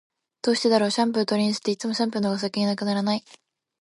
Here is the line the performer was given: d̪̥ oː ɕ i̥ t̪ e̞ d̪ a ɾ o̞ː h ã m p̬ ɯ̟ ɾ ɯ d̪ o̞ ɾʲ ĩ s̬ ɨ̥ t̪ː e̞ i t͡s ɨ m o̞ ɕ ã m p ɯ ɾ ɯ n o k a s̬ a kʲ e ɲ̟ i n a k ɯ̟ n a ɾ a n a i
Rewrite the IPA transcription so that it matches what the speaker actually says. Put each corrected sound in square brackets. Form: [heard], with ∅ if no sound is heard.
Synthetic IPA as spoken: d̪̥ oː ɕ i̥ t̪ e̞ d̪ a ɾ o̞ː [ɕ] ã m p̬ ɯ̟ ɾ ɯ [t̪] o̞ ɾʲ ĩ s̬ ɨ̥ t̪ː e̞ i t͡s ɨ m o̞ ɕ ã m p ɯ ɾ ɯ n o [ɡ] a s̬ a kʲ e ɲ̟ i n a k ɯ̟ n a ɾ a n a i